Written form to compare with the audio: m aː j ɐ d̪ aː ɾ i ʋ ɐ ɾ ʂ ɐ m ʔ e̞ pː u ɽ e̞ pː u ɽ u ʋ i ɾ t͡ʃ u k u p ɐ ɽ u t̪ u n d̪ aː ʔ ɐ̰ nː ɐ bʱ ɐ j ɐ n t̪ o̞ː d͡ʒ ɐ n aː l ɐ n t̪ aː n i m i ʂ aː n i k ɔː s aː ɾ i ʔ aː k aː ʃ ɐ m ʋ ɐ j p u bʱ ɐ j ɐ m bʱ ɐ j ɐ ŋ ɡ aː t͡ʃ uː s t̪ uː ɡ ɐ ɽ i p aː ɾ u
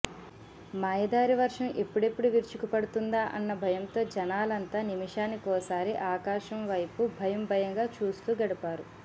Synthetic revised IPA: m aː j ɐ d̪ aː ɾ i ʋ ɐ ɾ ʂ ɐ m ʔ e̞ pː u ɽ e̞ pː u ɽ u ʋ i ɾ t͡ʃ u k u p ɐ ɽ u t̪ u n d̪ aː ʔ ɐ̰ nː ɐ bʱ ɐ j ɐ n t̪ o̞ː d͡ʒ ɐ n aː l ɐ n t̪ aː n i m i ʂ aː n i k ɔː s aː ɾ i ʔ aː k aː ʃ ɐ m ʋ ɐ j p u bʱ ɐ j ɐ m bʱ ɐ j ɐ ŋ ɡ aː t͡ʃ uː s t̪ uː ɡ ɐ ɽ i p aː ɾ u